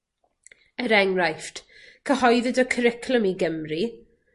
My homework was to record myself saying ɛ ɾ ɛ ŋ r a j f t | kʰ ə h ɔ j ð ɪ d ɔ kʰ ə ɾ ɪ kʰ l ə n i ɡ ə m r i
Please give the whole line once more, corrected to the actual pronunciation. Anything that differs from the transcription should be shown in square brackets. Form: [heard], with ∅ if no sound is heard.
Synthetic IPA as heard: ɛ ɾ ɛ ŋ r a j f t | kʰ ə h ɔ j ð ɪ d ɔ kʰ ə ɾ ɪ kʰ l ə [m] i ɡ ə m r i